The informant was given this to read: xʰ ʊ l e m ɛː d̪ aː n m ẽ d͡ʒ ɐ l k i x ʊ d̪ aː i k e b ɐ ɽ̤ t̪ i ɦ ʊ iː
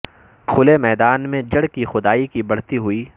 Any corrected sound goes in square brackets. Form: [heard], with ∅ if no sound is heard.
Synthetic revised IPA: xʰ ʊ l e m ɛː d̪ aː n m ẽ d͡ʒ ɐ [ɽ] k i x ʊ d̪ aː i k [i] b ɐ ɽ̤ t̪ i ɦ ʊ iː